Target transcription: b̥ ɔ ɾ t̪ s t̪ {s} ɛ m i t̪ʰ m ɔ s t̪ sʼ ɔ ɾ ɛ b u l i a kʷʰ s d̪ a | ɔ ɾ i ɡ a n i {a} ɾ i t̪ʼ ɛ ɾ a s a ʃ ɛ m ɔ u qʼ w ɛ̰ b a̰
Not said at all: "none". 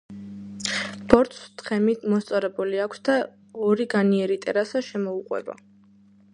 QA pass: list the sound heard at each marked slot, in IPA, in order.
χ, ɛ

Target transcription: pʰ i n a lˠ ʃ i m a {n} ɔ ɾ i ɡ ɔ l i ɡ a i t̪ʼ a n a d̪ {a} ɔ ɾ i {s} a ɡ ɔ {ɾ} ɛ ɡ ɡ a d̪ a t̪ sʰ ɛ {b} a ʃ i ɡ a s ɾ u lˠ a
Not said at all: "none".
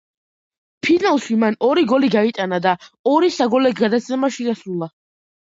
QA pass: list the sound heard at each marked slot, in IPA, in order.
n, a, s, l, m

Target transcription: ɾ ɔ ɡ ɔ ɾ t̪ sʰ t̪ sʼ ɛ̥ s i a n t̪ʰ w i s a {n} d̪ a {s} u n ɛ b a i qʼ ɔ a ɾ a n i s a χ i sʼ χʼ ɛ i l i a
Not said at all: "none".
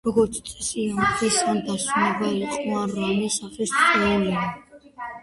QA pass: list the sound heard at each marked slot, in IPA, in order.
n, s

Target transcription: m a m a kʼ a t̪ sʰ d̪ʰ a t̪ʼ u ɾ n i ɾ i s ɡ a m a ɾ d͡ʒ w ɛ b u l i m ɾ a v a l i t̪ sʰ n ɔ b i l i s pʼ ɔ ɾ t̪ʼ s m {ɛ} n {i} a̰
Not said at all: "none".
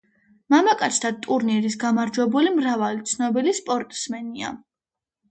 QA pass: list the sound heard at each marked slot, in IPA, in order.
ɛ, i

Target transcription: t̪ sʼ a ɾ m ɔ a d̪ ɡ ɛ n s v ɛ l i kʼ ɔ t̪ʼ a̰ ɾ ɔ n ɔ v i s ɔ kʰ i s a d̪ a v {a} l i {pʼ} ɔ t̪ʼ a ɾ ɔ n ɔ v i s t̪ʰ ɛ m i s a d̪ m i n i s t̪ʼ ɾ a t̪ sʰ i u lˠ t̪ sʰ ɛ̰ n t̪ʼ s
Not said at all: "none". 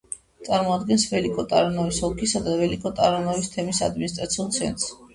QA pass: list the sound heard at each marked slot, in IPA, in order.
ɛ, kʼ

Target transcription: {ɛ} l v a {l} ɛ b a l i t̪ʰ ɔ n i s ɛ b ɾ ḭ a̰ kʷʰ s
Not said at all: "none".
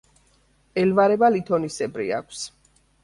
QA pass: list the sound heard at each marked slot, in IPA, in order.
ɛ, ɾ

